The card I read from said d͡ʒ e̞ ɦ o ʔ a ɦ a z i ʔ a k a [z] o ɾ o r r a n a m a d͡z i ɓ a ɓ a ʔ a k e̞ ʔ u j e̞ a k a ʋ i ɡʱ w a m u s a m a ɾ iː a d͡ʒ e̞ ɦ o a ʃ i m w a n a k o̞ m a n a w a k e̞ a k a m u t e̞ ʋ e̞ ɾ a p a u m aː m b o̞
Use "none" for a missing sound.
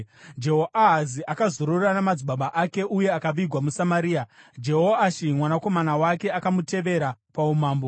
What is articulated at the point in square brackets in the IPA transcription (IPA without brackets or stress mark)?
z